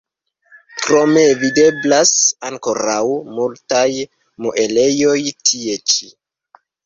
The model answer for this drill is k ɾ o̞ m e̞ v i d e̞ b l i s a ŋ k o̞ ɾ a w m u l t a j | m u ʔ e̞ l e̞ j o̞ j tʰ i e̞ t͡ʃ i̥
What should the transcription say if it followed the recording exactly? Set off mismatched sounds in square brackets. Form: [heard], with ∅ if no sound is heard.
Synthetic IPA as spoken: k ɾ o̞ m e̞ v i d e̞ b l [a] s a ŋ k o̞ ɾ a w m u l t a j | m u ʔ e̞ l e̞ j o̞ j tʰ i e̞ t͡ʃ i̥